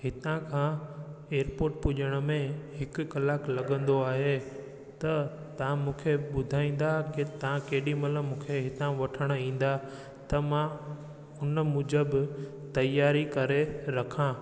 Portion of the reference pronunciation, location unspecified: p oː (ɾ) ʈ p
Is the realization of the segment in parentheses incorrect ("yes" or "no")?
no